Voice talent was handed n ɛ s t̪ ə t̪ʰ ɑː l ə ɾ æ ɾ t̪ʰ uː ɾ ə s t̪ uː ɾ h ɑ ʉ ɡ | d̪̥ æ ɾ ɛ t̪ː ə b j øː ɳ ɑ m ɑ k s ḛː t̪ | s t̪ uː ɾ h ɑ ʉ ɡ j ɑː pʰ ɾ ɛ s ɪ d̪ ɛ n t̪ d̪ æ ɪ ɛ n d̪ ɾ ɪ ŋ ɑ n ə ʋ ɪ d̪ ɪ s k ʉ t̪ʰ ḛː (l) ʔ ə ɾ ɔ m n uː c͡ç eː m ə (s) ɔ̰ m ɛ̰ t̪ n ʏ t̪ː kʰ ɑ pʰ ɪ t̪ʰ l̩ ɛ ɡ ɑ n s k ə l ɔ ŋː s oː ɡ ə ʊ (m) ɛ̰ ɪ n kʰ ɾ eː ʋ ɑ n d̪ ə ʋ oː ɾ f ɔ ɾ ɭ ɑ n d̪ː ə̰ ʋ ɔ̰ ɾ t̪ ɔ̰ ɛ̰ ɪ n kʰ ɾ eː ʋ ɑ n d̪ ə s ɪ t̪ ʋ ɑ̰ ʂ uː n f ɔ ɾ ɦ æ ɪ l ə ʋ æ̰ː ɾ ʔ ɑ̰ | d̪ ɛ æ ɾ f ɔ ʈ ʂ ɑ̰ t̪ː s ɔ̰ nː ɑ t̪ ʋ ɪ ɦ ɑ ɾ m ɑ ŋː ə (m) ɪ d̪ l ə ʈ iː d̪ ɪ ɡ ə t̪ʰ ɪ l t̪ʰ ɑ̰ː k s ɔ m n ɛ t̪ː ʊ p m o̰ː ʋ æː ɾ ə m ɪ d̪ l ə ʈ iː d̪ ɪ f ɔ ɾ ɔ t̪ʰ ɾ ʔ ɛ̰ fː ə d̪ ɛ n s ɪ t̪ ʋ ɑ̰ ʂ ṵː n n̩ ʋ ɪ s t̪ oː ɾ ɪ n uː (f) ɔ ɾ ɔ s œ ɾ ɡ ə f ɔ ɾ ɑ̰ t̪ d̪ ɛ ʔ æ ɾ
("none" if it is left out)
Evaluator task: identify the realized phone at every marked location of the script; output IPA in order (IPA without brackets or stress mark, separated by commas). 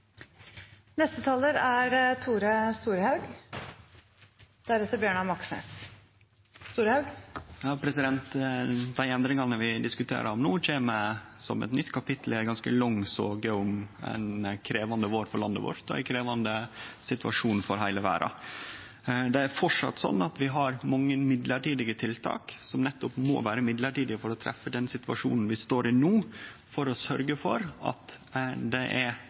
ɾ, s, m, m, f